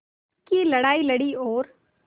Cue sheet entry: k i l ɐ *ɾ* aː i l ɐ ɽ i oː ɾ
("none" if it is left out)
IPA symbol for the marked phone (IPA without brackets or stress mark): ɽ